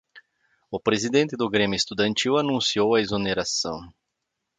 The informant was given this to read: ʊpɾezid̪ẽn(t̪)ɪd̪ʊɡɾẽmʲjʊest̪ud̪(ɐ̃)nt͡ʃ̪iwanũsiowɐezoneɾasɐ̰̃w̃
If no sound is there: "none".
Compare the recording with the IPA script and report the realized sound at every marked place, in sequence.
t̪, ɐ̃

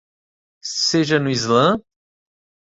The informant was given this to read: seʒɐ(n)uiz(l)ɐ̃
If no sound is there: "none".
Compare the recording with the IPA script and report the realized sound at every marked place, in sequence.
n, l

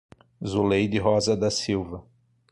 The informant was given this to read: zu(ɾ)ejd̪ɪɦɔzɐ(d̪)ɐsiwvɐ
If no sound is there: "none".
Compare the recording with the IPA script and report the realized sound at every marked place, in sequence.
l, d̪

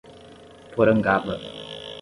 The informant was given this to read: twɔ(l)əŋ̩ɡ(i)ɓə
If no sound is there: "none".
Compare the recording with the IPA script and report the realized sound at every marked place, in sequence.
ɾ, a

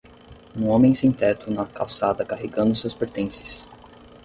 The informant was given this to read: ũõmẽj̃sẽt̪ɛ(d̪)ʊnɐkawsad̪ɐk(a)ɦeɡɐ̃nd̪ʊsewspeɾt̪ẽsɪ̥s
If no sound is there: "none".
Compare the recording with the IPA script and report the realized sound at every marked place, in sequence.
t̪, a

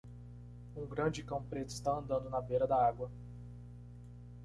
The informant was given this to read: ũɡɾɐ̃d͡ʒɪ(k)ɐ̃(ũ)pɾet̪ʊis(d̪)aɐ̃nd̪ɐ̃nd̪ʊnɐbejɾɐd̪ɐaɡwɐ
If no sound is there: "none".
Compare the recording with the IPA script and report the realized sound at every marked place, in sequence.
k, w̃, t̪

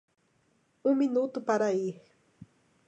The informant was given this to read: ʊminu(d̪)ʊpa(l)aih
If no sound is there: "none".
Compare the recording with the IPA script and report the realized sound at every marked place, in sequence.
t̪, ɾ

